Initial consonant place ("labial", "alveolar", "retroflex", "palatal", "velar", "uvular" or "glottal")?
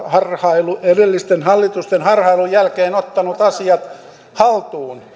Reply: glottal